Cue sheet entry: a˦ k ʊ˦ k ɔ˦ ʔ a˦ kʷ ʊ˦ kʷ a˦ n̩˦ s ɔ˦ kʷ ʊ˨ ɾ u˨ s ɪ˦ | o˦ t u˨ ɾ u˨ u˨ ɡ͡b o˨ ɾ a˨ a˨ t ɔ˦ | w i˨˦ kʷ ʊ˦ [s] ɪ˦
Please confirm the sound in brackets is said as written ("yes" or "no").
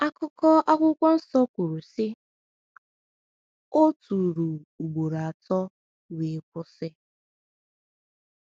yes